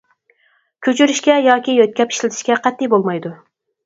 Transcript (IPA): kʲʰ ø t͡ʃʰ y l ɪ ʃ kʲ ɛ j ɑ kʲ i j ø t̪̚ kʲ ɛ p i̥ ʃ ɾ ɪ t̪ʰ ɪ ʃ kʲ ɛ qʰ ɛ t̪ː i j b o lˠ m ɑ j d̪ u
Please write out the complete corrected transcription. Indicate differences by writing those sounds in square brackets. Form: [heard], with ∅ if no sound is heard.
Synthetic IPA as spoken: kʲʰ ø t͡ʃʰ y [ɾ] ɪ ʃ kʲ ɛ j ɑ kʲ i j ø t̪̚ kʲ ɛ p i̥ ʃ [l] ɪ t̪ʰ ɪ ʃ kʲ ɛ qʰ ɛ t̪ː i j b o lˠ m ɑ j d̪ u